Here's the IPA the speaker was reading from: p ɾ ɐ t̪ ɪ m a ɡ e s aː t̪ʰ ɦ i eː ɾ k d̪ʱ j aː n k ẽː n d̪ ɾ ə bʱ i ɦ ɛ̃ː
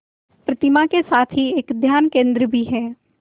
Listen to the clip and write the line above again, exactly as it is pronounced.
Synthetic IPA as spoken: p ɾ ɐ t̪ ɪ m a k e s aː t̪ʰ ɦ i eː k d̪ʱ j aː n k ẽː n d̪ ɾ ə bʱ i ɦ ɛː